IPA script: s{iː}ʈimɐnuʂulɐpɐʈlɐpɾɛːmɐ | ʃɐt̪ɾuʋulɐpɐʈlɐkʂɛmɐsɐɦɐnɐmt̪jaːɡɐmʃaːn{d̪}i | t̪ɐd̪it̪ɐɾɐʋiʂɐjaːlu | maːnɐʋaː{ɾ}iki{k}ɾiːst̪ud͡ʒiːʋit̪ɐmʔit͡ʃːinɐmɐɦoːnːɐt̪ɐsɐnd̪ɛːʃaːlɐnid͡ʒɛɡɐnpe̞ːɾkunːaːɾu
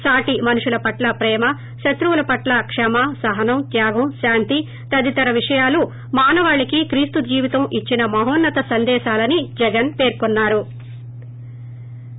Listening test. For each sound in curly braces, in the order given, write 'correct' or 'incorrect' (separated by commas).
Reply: incorrect, incorrect, incorrect, correct